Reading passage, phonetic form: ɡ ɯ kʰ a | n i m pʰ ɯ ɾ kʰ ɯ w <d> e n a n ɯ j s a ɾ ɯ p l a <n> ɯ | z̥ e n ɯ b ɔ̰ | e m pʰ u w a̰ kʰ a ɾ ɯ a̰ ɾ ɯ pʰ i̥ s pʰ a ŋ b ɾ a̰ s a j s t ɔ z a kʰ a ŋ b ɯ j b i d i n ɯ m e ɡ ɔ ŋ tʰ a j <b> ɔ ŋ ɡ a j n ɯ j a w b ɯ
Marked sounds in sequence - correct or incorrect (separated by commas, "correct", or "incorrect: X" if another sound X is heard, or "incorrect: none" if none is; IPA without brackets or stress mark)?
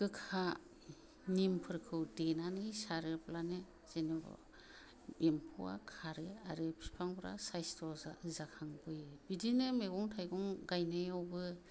correct, correct, incorrect: ɡ